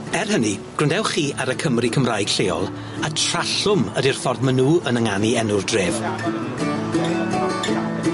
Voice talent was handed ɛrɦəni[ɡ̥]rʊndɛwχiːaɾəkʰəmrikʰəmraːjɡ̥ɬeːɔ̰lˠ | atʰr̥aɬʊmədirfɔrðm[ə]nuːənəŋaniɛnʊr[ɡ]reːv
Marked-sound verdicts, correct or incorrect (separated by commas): correct, correct, incorrect